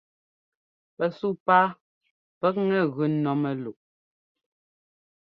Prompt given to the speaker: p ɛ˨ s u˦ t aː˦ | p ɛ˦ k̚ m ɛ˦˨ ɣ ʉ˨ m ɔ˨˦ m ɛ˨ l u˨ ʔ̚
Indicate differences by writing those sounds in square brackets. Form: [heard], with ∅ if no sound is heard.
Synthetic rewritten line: p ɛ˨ s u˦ [p] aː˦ | p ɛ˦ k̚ [ŋ] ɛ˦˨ ɣ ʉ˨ [n] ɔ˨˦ m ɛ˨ l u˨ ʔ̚

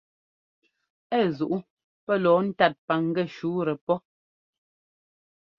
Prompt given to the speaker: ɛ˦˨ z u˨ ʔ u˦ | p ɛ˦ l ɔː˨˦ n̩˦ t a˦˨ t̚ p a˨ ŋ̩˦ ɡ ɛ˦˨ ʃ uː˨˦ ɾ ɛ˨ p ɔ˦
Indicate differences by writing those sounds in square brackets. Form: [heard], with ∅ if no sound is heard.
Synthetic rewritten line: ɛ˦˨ z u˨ ʔ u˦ | p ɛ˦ l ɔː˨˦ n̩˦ t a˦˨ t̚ p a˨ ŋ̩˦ ɡ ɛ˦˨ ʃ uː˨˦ ɾ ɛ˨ p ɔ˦

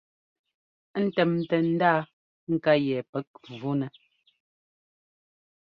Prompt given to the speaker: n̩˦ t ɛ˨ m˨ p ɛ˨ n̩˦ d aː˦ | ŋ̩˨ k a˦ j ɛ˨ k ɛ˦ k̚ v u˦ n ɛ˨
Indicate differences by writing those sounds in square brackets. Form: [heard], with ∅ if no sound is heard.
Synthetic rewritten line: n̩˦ t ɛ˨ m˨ [t] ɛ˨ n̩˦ d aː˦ | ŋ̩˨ k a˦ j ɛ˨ [p] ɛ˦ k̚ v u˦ n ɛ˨

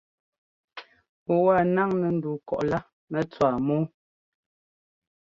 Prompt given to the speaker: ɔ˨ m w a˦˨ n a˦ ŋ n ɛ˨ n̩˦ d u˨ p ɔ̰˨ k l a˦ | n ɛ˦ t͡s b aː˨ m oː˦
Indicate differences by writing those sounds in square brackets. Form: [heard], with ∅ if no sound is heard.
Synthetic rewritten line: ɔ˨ [∅] w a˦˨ n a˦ ŋ n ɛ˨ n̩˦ d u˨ [k] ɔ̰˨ [ʔ] l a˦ | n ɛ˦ t͡s [w] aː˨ m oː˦

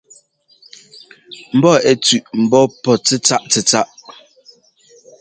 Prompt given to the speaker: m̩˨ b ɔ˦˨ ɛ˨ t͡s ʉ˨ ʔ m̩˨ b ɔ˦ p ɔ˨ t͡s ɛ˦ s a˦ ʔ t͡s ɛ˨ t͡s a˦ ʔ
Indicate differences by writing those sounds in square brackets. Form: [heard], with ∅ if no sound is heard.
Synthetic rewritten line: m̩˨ b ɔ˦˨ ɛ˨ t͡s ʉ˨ ʔ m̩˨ b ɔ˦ p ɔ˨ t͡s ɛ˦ [t͡s] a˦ ʔ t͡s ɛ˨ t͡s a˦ ʔ

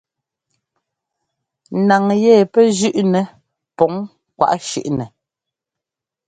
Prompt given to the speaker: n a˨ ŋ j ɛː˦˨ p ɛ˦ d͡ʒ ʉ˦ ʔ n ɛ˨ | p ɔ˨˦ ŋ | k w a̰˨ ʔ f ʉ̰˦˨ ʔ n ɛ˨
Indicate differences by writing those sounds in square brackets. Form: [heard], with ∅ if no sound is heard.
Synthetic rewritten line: n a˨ ŋ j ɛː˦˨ p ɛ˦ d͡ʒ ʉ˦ ʔ n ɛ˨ | p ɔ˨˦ ŋ | k w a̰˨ ʔ [ʃ] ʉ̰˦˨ ʔ n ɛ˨

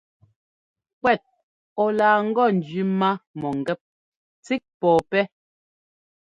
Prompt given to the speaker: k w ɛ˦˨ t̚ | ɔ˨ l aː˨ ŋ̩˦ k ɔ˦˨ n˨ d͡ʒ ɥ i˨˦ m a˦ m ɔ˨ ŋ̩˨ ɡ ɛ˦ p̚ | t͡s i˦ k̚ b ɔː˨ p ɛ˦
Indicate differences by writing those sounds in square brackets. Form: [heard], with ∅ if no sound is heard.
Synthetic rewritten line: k w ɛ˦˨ t̚ | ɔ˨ l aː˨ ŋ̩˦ [ɡ] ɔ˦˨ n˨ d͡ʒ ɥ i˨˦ m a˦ m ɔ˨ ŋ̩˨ ɡ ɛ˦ p̚ | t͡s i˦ k̚ [p] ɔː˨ p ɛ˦

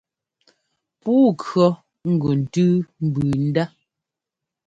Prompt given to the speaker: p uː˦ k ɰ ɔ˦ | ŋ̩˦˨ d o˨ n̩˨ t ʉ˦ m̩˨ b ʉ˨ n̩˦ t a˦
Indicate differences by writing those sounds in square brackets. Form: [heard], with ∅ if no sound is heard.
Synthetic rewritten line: p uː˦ k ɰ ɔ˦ | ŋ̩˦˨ [ɡ] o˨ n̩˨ t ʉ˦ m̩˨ b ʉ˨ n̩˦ [d] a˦

